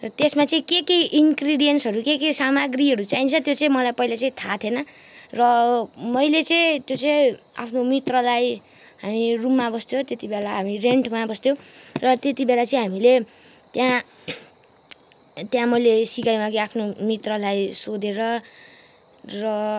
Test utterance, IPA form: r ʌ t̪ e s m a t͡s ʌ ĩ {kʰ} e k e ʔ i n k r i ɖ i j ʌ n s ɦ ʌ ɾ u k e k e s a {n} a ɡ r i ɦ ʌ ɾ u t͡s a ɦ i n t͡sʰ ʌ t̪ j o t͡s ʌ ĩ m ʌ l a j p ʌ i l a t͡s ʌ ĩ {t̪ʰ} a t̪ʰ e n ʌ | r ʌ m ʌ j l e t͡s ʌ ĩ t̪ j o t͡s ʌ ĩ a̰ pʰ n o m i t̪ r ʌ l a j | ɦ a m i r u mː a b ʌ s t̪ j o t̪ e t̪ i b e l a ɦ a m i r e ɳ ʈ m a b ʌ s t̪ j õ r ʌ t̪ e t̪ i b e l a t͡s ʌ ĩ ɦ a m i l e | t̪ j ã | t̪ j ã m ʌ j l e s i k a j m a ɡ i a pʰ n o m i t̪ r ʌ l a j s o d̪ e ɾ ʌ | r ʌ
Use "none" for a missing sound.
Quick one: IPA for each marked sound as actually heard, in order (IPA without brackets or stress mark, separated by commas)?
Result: k, m, t̪ʰ